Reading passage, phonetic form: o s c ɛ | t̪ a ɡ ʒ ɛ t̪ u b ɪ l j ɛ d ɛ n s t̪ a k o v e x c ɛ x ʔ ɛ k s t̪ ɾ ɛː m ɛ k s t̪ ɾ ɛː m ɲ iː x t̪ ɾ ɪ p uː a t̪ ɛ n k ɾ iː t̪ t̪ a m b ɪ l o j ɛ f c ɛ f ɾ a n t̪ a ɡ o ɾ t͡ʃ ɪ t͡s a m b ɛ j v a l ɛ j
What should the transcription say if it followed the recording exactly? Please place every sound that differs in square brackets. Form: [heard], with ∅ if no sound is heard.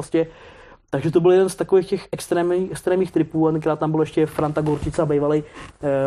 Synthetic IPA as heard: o s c ɛ | t̪ a ɡ ʒ ɛ t̪ [o] b ɪ l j ɛ d ɛ n s t̪ a k o v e x c ɛ x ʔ ɛ k s t̪ ɾ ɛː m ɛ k s t̪ ɾ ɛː m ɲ iː x t̪ ɾ ɪ p uː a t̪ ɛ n k ɾ [aː] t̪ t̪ a m b ɪ l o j ɛ [ʃ] c ɛ f ɾ a n t̪ a ɡ o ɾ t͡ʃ ɪ t͡s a [∅] b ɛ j v a l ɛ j